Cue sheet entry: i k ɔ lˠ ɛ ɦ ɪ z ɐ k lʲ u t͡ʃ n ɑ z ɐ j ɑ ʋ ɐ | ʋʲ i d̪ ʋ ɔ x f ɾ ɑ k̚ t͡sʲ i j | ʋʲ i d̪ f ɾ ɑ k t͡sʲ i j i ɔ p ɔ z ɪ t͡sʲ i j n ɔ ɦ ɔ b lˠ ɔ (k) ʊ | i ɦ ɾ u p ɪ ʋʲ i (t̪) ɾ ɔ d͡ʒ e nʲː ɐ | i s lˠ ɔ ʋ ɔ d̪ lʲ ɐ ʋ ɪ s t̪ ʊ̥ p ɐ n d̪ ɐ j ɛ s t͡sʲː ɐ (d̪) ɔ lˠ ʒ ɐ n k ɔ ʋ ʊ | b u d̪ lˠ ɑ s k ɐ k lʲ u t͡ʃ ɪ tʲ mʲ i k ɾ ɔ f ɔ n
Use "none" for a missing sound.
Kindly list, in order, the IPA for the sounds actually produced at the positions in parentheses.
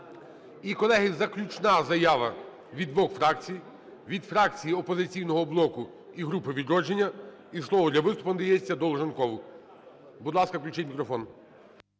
k, d̪, d̪

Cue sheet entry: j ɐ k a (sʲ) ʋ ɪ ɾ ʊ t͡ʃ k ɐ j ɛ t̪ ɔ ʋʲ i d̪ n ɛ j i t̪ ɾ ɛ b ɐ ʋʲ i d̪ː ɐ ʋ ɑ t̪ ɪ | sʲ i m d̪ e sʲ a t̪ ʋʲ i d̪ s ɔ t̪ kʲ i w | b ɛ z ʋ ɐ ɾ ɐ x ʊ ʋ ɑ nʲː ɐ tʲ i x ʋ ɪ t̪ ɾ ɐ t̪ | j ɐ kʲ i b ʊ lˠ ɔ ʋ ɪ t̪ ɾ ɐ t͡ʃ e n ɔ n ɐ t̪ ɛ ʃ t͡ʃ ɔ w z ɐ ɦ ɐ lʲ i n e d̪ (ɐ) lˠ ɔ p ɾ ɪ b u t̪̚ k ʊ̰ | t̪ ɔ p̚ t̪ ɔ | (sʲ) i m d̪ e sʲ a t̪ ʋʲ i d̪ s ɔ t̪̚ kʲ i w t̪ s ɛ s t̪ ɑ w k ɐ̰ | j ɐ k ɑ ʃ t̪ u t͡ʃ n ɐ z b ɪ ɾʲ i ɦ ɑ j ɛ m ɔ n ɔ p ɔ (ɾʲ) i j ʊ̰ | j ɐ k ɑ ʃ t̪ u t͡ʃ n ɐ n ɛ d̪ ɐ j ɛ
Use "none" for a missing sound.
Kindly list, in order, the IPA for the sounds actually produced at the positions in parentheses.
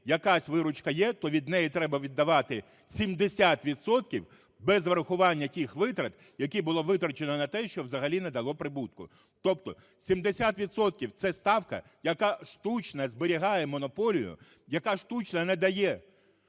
sʲ, ɐ, sʲ, lʲ

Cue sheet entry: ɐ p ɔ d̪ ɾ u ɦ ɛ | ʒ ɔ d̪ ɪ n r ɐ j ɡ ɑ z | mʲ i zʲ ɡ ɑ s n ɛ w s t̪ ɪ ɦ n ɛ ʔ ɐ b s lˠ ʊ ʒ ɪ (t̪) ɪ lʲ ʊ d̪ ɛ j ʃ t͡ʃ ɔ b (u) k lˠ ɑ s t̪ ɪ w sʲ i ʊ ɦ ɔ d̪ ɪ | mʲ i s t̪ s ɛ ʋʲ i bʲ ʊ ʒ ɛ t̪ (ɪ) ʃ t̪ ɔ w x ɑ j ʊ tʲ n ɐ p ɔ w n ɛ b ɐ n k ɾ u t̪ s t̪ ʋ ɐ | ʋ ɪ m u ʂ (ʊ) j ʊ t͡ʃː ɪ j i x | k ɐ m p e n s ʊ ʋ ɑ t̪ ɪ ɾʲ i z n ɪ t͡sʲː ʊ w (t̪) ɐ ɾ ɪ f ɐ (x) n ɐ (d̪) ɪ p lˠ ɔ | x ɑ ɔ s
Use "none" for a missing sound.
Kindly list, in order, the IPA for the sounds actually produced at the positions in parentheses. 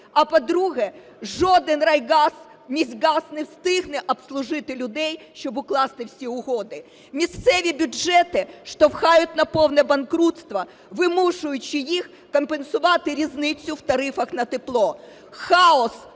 t̪, ʊ, ɪ, ʊ, t̪, x, t̪

